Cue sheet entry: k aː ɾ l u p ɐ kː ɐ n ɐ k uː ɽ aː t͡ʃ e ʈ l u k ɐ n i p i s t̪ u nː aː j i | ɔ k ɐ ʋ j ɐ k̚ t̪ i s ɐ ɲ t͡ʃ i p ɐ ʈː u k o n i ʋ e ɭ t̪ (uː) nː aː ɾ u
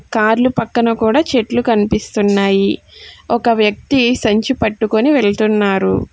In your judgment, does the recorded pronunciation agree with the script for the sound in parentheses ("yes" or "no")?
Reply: no